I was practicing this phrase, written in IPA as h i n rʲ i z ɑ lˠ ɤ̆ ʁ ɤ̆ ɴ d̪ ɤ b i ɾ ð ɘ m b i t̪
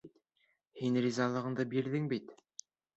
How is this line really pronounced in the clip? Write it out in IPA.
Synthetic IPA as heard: h i n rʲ i z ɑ lˠ ɤ̆ ʁ ɤ̆ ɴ d̪ ɤ b i ɾ ð ɘ ŋ b i t̪